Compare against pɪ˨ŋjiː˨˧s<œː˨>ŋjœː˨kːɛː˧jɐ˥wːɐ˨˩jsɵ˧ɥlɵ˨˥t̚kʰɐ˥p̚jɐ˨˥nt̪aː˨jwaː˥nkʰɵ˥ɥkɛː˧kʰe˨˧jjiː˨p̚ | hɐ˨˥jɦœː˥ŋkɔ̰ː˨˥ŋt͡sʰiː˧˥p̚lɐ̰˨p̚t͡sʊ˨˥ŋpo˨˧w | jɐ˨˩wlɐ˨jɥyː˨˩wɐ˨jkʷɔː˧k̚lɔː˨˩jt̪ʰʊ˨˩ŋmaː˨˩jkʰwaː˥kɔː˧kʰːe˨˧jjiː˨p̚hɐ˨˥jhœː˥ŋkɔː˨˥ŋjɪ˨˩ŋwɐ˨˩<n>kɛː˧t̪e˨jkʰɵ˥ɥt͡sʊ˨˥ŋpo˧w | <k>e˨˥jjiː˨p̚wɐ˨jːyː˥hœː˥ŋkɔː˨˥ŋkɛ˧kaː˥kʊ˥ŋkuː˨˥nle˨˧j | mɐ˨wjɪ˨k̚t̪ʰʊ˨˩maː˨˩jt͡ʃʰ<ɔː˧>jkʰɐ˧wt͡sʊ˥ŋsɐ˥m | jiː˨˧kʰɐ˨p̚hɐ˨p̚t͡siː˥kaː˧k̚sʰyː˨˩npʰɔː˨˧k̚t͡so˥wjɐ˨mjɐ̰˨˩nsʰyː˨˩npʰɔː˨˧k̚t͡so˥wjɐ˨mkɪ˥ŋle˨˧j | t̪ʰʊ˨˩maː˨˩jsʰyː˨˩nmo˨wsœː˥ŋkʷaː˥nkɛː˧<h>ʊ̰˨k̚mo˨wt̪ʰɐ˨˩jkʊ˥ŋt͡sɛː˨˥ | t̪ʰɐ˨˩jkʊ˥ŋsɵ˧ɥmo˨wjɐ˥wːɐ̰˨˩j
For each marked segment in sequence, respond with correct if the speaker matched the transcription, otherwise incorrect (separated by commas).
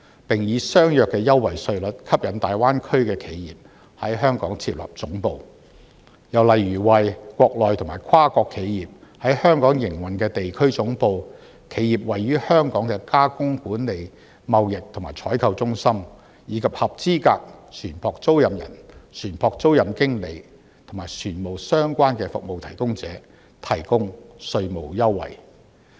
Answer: incorrect, correct, incorrect, incorrect, incorrect